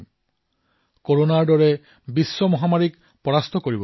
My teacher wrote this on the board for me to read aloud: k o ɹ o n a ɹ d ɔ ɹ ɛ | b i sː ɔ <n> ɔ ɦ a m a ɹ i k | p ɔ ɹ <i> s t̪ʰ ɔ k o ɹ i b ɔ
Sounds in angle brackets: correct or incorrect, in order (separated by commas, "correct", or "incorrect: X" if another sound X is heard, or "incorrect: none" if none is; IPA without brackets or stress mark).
incorrect: m, incorrect: a